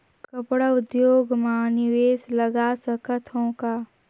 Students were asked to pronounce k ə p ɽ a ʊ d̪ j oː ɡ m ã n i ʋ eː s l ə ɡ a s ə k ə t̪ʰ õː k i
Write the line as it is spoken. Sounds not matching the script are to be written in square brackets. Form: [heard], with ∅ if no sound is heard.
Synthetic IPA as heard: k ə p ɽ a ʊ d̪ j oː ɡ m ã n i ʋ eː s l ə ɡ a s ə k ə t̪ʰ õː k [a]